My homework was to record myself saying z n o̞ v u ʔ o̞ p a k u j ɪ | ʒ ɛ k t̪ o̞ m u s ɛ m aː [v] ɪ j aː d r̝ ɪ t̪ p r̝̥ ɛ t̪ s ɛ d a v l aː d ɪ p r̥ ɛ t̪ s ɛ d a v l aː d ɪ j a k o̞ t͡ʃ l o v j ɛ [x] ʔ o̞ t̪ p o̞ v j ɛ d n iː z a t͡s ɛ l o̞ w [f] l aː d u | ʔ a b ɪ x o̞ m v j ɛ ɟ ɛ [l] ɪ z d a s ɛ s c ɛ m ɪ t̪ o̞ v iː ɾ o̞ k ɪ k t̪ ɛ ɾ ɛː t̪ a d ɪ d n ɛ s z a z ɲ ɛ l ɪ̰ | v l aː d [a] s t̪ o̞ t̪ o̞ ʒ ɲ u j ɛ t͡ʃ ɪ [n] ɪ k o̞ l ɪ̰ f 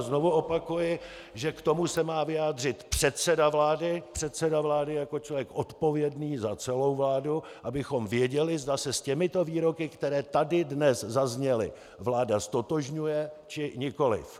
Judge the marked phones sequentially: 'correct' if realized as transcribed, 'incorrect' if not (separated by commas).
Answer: correct, incorrect, incorrect, correct, correct, incorrect